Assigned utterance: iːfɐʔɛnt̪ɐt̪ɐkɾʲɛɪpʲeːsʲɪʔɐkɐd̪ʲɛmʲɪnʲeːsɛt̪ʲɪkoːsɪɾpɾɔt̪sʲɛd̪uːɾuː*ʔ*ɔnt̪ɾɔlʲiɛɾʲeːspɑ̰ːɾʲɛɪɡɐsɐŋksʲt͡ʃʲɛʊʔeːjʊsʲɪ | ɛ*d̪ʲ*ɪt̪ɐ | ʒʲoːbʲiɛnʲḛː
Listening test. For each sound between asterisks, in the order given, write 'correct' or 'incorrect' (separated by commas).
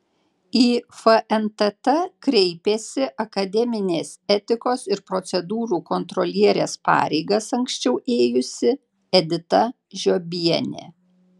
incorrect, correct